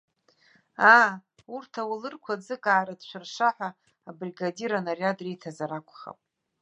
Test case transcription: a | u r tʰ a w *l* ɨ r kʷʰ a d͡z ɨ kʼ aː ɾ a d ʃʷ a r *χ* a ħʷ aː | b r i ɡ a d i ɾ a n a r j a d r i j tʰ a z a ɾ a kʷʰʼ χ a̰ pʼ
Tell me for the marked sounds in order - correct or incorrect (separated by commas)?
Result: correct, incorrect